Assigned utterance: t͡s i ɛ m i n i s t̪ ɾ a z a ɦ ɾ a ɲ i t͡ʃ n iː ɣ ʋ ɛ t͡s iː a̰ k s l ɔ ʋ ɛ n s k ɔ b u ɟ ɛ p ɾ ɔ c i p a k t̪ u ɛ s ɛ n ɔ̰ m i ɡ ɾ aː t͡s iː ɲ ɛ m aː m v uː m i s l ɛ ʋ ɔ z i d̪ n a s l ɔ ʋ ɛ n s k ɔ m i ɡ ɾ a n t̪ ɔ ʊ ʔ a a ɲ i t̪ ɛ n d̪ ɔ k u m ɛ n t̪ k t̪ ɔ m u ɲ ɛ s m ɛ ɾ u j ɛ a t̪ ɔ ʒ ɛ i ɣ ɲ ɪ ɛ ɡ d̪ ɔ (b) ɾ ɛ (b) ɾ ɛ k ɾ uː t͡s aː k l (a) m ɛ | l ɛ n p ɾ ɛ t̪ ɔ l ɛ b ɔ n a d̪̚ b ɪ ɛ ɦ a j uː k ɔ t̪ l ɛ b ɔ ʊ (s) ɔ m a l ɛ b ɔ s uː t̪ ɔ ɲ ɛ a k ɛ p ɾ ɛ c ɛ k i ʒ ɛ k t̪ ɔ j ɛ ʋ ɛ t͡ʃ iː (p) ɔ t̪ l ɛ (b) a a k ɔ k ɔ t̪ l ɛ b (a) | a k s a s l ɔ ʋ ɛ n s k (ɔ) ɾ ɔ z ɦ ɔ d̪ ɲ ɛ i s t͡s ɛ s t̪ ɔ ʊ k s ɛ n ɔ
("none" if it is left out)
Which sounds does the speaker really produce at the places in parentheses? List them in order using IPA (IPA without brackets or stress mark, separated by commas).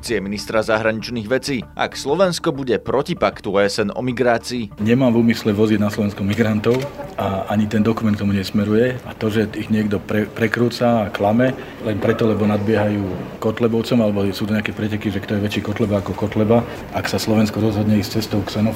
p, p, a, t͡s, k, b, a, ɔ